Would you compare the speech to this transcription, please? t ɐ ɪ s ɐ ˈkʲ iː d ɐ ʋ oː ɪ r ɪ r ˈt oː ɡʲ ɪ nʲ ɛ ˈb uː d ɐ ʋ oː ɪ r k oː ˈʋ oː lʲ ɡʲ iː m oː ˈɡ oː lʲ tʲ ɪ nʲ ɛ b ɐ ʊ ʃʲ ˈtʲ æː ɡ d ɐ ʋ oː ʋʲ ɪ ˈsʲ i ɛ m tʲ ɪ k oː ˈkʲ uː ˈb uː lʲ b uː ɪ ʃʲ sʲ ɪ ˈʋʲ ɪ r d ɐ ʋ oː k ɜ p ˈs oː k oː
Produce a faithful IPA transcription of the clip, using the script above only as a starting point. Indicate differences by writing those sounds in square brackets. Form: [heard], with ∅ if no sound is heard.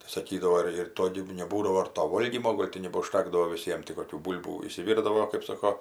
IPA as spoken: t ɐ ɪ s ɐ ˈkʲ iː d ɐ ʋ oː ɪ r ɪ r ˈt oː ɡʲ ɪ nʲ ɛ ˈb uː d ɐ ʋ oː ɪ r [t] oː ˈʋ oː lʲ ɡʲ iː m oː ˈɡ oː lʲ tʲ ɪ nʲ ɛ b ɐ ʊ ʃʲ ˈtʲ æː ɡ d ɐ ʋ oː ʋʲ ɪ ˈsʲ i ɛ m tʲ ɪ k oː ˈkʲ uː ˈb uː lʲ b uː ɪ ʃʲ sʲ ɪ ˈʋʲ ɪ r d ɐ ʋ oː k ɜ p ˈs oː k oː